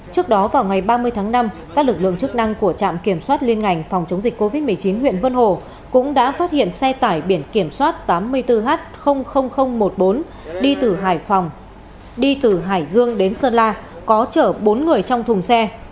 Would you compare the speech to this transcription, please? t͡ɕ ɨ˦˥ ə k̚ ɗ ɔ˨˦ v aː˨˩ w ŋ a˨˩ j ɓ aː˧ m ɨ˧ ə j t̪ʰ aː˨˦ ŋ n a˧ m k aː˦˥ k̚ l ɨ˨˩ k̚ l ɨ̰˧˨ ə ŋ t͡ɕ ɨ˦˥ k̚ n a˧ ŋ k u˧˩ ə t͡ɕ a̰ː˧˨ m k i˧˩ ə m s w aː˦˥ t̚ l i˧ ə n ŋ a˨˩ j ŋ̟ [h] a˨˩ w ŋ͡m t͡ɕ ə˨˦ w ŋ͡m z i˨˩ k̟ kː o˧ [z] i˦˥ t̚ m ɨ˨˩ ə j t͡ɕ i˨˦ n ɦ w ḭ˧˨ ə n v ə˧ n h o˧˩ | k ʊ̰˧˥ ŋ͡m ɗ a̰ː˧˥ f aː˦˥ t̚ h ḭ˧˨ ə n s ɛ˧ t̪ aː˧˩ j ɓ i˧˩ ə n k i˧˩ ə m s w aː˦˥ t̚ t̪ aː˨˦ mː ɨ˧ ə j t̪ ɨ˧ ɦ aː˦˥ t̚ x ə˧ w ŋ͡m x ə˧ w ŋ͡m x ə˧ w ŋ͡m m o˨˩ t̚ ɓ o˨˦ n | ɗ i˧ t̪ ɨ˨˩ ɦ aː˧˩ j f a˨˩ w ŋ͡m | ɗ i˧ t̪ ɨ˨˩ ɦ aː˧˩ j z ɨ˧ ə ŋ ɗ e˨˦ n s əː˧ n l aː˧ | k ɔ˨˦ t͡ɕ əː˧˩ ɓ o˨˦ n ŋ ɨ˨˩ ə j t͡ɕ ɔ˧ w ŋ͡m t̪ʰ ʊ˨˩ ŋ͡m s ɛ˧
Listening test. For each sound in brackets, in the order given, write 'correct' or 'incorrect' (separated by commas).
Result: incorrect, incorrect